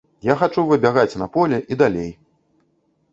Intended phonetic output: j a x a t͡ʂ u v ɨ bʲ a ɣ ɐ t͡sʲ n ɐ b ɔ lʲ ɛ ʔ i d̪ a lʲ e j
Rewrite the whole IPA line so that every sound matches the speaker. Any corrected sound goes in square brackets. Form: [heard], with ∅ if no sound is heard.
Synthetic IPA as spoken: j a x a t͡ʂ u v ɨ bʲ a ɣ [a] t͡sʲ n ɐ [p] ɔ lʲ ɛ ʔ i d̪ a lʲ e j